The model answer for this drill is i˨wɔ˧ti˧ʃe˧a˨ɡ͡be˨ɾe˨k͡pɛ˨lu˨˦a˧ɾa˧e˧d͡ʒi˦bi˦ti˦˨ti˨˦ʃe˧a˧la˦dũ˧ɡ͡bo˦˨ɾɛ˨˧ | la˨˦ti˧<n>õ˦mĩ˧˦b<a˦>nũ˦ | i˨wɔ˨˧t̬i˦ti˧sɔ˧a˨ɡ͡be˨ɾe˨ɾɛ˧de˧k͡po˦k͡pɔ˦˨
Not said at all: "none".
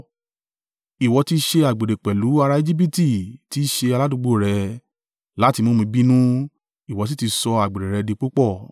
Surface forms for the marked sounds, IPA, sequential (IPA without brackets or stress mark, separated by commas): m, i˦